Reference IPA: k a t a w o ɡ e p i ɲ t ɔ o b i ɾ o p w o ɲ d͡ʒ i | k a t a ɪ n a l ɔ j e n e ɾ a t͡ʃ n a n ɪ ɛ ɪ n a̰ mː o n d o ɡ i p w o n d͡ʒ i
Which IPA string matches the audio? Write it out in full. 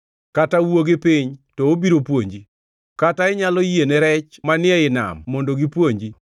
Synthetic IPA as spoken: k a t a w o ɡ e p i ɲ t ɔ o b i ɾ o p w o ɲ d͡ʒ i | k a t a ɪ ɲ a l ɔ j e n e ɾ ɛ t͡ʃ m a n ɪ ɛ ɪ n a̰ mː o n d o ɡ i p w o ɲ d͡ʒ i

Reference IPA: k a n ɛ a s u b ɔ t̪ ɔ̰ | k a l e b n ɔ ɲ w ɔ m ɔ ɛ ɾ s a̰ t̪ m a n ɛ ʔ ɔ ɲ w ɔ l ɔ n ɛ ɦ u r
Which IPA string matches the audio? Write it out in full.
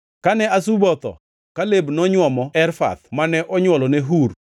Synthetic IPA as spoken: k a n ɛ a s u b ɔ t̪ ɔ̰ | k a l e b n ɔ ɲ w ɔ m ɔ ɛ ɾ f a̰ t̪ m a n ɛ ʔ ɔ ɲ w ɔ l ɔ n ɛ ɦ u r

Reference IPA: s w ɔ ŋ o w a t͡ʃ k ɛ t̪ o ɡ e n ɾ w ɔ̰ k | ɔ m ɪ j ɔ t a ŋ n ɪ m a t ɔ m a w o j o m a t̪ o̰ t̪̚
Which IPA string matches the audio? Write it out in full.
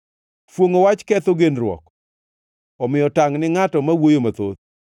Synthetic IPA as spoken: f w o ŋ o w a t͡ʃ k ɛ t̪ o ɡ e n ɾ w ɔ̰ k | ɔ m ɪ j ɔ t a ŋ n ɪ ŋ a t ɔ m a w o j o m a t̪ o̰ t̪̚

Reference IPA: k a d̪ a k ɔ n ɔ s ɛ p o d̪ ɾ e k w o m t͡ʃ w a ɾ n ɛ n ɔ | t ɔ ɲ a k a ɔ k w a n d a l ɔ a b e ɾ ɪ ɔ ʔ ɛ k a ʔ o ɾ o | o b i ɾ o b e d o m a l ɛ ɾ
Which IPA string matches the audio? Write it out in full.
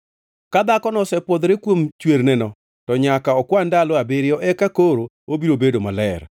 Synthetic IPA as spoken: k a d̪ a k ɔ n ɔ s ɛ p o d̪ ɾ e k w o m t͡ʃ w e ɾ n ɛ n ɔ | t ɔ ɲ a k a ɔ k w a n d a l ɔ a b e ɾ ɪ ɔ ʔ ɛ k a k o ɾ o | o b i ɾ o b e d o m a l ɛ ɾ

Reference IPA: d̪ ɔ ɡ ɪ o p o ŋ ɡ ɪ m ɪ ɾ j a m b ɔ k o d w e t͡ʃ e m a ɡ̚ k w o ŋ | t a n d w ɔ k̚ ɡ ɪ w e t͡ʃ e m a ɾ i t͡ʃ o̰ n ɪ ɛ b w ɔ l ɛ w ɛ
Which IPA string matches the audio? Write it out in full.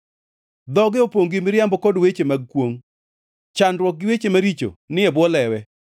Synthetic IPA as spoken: d̪ ɔ ɡ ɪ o p o ŋ ɡ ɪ m ɪ ɾ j a m b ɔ k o d w e t͡ʃ e m a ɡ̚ k w o ŋ | t͡ʃ a n d w ɔ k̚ ɡ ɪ w e t͡ʃ e m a ɾ i t͡ʃ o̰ n ɪ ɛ b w ɔ l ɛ w ɛ

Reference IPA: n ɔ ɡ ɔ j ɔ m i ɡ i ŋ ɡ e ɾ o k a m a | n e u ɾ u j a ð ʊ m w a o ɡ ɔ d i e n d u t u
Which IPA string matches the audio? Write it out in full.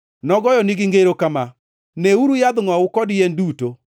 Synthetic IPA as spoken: n ɔ ɡ ɔ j ɔ n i ɡ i ŋ ɡ e ɾ o k a m a | n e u ɾ u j a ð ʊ ŋ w a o k ɔ d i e n d u t o

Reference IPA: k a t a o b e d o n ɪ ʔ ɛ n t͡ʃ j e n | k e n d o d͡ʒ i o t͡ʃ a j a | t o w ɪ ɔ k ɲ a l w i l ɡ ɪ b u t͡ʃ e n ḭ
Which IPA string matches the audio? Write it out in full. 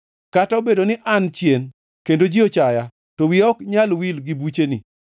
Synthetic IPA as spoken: k a t a o b e d o n ɪ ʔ a n t͡ʃ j e n | k e n d o d͡ʒ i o t͡ʃ a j a | t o w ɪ ɔ k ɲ a l w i l ɡ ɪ b u t͡ʃ e n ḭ

